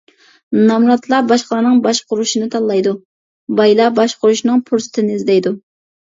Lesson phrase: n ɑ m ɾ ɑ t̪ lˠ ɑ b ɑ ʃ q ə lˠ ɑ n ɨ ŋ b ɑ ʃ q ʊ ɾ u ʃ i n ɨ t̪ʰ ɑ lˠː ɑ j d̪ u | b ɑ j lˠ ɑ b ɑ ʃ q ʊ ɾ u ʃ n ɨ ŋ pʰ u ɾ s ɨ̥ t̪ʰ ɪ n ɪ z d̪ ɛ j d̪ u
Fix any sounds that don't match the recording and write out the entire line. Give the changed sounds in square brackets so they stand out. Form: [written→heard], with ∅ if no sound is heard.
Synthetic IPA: n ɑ m ɾ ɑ t̪ lˠ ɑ b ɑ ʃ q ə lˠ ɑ n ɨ ŋ b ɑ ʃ q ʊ ɾ u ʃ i n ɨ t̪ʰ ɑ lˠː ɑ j d̪ u | b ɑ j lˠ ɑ b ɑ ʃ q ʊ ɾ u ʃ n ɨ ŋ pʰ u ɾ s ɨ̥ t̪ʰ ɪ n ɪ z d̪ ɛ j d̪ u